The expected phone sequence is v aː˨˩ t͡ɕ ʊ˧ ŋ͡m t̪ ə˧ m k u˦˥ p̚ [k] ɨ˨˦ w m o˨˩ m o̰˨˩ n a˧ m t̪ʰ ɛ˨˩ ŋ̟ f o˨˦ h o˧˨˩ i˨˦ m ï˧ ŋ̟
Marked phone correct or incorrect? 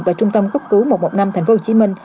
correct